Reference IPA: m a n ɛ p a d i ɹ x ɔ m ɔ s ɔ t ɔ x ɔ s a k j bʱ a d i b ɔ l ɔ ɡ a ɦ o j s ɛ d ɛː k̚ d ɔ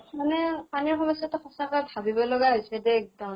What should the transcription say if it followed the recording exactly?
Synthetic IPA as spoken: m a n ɛ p a n i ɹ x ɔ m ɔ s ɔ t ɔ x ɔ s a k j bʱ a b i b ɔ l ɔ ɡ a ɦ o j s ɛ d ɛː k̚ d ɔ